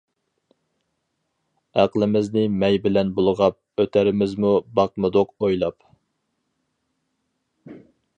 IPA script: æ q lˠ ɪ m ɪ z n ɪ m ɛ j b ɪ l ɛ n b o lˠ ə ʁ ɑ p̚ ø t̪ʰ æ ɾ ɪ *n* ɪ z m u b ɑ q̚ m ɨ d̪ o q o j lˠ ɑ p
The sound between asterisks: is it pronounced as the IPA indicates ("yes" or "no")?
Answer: no